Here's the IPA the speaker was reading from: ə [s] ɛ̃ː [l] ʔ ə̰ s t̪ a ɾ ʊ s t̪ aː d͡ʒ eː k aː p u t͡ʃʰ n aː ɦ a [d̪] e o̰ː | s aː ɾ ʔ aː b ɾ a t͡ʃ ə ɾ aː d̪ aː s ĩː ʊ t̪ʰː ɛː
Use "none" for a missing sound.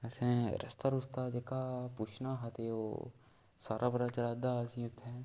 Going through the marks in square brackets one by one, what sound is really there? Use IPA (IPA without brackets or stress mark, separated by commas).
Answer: s, ɾ, t̪